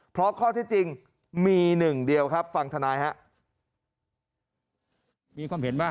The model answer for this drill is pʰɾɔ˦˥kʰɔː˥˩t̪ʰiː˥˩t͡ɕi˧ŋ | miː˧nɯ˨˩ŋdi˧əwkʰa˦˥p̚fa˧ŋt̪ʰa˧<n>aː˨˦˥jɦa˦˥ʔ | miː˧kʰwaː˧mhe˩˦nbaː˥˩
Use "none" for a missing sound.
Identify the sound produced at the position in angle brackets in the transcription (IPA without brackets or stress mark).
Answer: n